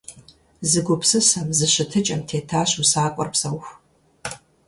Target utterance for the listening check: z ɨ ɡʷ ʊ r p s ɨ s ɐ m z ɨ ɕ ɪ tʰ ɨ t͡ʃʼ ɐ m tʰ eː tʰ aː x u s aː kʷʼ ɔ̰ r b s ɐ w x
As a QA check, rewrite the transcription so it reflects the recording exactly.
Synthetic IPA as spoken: z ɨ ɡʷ ʊ p s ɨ s ɐ m z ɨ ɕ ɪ tʰ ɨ t͡ʃʼ ɐ m tʰ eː tʰ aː ɕ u s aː kʷʼ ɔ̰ r p s ɐ w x